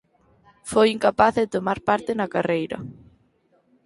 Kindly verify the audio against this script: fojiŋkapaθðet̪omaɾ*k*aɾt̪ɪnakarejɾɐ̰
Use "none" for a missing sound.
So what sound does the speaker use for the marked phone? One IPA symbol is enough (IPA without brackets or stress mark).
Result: p